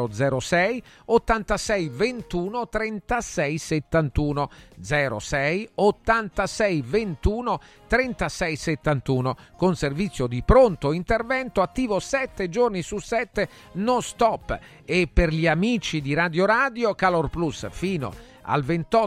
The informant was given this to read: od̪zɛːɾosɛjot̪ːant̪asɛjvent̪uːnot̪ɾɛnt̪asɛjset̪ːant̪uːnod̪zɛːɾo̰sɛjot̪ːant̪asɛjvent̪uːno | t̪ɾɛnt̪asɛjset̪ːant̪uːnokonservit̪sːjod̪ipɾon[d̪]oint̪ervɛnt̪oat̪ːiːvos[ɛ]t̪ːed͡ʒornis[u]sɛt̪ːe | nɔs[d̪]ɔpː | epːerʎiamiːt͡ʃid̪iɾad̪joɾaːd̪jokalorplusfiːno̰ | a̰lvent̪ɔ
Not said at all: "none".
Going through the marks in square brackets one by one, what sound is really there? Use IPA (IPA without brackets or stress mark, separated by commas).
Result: t̪, ɛ, u, t̪